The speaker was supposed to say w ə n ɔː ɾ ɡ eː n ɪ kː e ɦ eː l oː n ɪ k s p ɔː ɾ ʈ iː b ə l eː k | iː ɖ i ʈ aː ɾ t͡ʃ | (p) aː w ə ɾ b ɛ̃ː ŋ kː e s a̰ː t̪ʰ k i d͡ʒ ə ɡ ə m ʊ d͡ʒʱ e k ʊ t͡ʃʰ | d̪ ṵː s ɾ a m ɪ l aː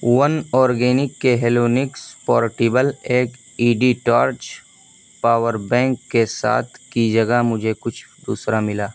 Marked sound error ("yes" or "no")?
no